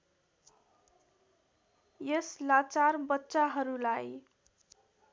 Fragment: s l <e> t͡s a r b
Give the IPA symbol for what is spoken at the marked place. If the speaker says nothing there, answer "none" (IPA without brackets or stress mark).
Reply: a